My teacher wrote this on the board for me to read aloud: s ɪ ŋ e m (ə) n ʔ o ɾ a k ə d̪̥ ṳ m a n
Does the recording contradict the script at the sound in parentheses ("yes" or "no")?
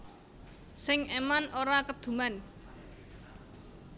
yes